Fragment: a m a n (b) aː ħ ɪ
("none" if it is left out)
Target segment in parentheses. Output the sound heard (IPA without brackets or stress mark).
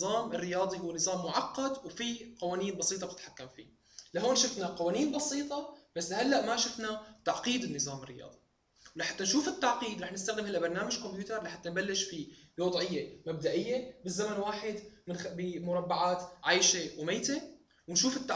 w